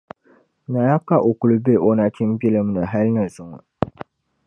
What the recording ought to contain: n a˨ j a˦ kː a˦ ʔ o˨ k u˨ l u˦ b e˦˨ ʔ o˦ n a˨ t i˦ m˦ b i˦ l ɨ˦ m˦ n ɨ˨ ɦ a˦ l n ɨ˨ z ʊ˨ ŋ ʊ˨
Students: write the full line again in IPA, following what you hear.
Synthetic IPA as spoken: n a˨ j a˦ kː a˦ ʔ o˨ k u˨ l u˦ b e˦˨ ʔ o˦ n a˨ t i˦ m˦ b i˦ l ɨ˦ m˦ n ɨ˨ ɦ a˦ l n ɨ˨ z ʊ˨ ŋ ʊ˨